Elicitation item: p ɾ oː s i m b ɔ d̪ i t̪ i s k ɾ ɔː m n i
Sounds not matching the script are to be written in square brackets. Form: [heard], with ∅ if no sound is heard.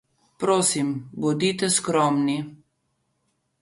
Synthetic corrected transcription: p ɾ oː s i m b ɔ d̪ i t̪ [ɛ] s k ɾ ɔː m n i